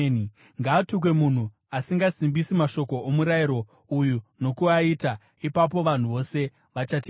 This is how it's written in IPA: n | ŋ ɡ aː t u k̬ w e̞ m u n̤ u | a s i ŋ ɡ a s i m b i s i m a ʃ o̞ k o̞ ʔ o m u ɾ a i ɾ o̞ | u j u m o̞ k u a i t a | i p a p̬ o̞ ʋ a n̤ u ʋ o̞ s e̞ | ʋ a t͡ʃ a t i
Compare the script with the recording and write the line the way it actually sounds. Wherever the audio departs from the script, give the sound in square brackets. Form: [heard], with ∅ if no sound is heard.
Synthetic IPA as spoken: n | ŋ ɡ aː t u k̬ w e̞ m u n̤ u | a s i ŋ ɡ a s i m b i s i m a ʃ o̞ k o̞ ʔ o m u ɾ a i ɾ o̞ | u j u [n] o̞ k u a i t a | i p a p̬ o̞ ʋ a n̤ u ʋ o̞ s e̞ | ʋ a t͡ʃ a t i